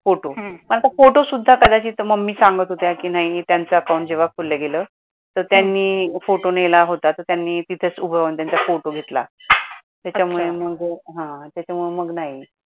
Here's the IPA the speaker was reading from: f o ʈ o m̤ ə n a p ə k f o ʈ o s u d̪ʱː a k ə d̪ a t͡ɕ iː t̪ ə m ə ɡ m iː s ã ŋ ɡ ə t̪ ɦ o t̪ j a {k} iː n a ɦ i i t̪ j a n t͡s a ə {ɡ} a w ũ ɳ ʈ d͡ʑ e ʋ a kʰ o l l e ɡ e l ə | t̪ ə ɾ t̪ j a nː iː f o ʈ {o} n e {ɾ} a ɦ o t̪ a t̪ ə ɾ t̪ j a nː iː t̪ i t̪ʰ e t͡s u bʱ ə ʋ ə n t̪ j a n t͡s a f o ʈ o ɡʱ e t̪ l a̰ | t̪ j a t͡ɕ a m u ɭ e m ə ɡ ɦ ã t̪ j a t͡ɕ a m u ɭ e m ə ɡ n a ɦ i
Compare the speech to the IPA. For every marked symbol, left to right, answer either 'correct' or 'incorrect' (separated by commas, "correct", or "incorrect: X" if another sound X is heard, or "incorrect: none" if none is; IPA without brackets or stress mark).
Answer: correct, incorrect: k, correct, incorrect: l